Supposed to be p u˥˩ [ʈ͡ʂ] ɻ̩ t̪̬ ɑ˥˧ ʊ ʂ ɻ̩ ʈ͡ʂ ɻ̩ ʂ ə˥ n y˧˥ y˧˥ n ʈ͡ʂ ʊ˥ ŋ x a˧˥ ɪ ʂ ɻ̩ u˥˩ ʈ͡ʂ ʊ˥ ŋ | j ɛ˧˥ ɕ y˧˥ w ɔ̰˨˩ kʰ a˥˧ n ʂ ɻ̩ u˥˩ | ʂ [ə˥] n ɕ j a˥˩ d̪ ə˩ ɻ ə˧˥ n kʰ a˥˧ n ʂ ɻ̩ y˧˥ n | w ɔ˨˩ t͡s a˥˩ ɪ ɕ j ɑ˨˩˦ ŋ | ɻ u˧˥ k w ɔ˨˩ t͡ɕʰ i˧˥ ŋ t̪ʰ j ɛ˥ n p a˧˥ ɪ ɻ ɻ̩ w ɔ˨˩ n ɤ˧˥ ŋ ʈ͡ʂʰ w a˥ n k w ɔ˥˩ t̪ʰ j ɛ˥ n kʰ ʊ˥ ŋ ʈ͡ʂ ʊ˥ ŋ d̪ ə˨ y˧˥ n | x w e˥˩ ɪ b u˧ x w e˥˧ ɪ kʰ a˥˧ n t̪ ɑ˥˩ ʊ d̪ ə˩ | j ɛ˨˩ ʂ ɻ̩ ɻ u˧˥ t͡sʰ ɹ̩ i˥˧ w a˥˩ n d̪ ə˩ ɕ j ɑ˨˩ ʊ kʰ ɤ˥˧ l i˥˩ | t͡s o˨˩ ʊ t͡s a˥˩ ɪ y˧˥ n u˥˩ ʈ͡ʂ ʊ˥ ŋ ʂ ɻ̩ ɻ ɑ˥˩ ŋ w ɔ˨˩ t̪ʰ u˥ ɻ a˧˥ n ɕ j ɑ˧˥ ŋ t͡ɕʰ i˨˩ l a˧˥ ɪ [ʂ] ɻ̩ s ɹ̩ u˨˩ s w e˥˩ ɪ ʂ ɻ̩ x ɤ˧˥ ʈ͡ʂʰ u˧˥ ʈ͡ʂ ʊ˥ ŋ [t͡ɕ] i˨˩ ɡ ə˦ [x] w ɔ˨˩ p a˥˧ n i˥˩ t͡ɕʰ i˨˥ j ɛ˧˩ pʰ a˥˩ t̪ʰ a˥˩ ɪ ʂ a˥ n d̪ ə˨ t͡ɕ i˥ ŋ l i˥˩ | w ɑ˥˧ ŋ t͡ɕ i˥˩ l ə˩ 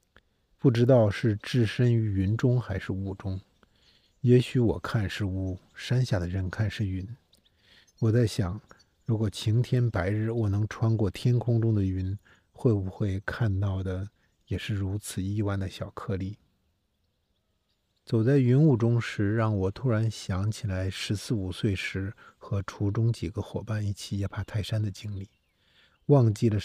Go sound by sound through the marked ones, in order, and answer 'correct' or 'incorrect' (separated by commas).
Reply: correct, incorrect, correct, correct, correct